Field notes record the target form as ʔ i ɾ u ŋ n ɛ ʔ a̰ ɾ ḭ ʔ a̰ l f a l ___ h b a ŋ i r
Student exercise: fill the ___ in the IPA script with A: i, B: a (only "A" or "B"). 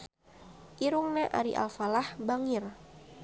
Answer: B